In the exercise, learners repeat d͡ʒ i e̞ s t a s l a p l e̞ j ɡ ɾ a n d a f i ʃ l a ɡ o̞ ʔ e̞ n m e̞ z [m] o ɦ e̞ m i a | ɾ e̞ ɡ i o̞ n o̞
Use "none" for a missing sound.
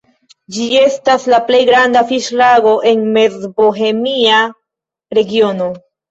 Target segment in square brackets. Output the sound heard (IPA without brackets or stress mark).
b